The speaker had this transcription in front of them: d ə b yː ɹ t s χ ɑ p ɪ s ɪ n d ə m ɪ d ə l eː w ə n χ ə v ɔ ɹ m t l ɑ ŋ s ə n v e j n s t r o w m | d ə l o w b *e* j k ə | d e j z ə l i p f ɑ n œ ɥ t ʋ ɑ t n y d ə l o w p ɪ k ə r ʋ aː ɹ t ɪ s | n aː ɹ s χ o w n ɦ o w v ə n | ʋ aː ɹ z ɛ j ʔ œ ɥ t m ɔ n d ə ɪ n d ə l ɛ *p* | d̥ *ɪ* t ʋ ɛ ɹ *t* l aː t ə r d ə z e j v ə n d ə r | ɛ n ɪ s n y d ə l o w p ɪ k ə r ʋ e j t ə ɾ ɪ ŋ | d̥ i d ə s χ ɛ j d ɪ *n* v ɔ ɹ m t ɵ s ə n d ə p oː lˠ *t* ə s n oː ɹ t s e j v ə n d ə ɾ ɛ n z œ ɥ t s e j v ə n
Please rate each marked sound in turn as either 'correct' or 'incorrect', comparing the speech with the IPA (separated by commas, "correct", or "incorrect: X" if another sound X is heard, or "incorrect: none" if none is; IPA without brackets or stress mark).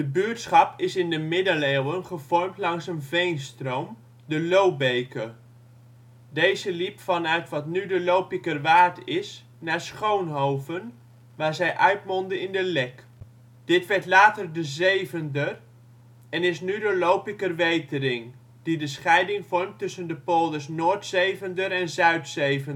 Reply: correct, incorrect: k, correct, correct, incorrect: ŋ, incorrect: d